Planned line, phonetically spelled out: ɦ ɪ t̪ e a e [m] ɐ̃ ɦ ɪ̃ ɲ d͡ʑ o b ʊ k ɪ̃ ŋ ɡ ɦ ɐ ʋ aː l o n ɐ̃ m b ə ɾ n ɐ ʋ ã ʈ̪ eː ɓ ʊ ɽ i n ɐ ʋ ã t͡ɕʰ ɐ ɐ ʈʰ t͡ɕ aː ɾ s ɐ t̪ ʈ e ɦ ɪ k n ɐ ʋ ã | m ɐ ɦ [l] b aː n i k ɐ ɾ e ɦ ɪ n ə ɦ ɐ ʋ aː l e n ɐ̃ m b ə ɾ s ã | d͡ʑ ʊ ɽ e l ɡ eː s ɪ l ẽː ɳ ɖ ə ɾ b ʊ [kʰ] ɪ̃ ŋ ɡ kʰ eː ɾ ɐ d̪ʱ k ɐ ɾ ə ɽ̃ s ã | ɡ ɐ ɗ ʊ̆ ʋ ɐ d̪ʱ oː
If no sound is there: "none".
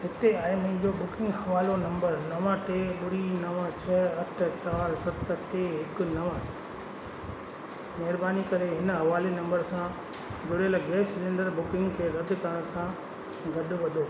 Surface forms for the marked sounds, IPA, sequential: m, ɾ, k

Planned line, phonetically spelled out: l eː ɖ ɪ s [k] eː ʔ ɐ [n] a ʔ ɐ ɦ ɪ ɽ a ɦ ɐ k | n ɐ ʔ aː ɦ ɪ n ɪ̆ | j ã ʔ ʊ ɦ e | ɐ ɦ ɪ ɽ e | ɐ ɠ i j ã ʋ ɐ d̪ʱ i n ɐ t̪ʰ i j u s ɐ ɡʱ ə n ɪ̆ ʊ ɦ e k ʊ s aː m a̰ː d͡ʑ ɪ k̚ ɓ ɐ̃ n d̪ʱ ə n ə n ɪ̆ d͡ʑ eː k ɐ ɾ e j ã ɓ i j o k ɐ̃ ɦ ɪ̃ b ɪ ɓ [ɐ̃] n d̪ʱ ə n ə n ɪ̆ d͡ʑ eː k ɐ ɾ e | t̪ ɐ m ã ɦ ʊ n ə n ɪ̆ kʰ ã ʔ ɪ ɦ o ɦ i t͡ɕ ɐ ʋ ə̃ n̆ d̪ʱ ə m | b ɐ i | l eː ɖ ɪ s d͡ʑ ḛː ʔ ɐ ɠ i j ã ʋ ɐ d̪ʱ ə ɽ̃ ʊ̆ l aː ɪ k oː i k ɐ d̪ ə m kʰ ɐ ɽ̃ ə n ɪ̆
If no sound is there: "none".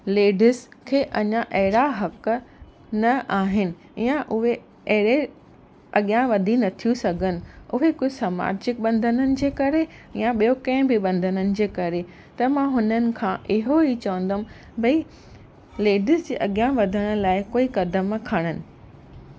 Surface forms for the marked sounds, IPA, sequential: kʰ, ɲ, ɐ̃

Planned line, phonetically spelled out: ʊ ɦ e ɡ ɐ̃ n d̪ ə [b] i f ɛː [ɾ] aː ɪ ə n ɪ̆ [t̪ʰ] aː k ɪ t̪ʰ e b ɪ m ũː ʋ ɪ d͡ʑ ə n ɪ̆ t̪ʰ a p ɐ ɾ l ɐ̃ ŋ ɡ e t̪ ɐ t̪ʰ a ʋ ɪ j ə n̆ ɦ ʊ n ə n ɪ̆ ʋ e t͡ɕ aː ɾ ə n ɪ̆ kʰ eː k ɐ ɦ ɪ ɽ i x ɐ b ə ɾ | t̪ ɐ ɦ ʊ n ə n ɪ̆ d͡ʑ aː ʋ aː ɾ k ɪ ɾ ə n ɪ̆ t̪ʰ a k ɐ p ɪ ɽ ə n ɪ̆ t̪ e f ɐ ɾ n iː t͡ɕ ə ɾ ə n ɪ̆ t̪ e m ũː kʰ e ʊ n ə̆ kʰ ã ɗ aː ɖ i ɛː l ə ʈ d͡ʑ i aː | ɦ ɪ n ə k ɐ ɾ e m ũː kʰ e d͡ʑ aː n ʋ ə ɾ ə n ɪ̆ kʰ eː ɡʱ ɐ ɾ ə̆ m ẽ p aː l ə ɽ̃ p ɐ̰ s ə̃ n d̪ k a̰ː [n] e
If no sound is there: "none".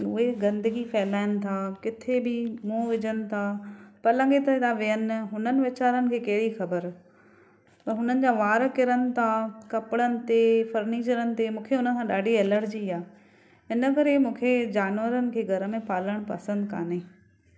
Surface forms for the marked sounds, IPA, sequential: ɡ, l, t̪ʰ, n

